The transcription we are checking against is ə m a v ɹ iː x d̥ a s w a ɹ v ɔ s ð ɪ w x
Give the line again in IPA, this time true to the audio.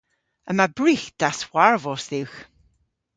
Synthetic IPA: ə m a b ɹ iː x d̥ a s w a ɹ v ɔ s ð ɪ w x